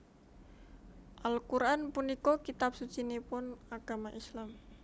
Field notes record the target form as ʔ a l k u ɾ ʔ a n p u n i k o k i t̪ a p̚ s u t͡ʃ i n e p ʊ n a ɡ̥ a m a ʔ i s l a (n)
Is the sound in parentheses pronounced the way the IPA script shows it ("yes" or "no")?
no